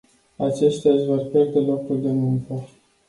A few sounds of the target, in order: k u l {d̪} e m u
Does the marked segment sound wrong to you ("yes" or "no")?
no